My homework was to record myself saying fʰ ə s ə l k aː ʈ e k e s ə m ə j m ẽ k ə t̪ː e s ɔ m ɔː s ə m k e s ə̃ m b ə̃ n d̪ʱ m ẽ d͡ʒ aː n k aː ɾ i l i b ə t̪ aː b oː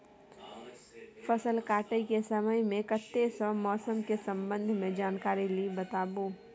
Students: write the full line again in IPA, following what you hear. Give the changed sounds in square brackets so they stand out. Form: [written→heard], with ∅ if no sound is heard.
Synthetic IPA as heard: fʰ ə s ə l k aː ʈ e k e s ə m ə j m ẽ k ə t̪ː e s ɔ m ɔː s ə m k e s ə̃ m b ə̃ n d̪ʱ m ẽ d͡ʒ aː n k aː ɾ i l i b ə t̪ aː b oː